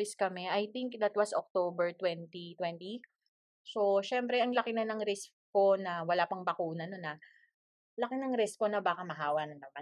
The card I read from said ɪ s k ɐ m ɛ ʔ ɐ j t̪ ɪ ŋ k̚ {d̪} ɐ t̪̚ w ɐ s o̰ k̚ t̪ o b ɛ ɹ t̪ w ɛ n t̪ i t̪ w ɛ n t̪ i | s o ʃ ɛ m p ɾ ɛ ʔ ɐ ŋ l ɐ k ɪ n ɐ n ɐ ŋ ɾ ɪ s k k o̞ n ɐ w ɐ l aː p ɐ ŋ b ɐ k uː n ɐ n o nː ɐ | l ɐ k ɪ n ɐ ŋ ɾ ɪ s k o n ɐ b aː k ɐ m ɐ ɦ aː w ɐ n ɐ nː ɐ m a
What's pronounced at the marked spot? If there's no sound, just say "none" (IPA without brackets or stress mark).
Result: d̪